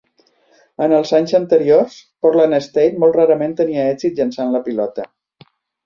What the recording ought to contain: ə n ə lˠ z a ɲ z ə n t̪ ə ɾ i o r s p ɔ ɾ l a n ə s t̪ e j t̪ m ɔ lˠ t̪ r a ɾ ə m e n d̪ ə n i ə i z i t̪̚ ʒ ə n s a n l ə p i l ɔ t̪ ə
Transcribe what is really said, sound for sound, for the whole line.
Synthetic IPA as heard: ə n ə lˠ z a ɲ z ə n t̪ ə ɾ i o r s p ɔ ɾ l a n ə s t̪ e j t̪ m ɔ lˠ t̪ r a ɾ ə m e n t̪ ə n i ə ɛ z i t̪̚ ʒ ə n s a n l ə p i l ɔ t̪ ə